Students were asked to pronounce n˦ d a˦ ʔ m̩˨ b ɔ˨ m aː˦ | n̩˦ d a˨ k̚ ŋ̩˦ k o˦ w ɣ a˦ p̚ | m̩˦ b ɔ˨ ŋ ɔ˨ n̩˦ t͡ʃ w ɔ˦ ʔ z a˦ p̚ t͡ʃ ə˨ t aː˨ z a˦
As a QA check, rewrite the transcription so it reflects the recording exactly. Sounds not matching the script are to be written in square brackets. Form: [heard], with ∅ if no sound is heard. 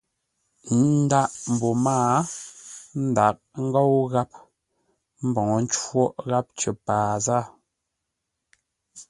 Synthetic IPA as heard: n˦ d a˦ ʔ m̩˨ b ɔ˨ m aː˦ | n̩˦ d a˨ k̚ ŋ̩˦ [ɡ] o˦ w ɣ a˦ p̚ | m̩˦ b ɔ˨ ŋ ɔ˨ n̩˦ t͡ʃ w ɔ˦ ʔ [ɣ] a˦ p̚ t͡ʃ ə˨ [p] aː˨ z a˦